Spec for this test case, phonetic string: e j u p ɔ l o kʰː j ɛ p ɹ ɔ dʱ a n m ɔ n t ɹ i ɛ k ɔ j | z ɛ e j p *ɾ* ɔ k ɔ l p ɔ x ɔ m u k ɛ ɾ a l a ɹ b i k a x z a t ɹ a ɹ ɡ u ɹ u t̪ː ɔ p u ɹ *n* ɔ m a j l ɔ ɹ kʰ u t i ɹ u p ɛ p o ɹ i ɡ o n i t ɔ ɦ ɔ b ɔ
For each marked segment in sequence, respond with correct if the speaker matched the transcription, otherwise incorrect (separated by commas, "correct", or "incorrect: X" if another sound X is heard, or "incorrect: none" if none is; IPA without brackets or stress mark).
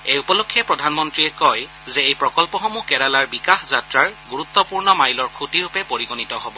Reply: incorrect: ɹ, correct